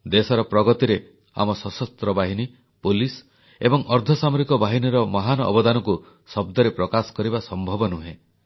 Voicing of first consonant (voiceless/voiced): voiced